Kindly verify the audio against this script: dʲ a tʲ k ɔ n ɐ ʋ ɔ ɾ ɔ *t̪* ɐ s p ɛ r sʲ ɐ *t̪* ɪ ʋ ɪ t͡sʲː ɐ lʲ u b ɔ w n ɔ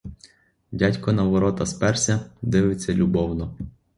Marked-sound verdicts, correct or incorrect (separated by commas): correct, incorrect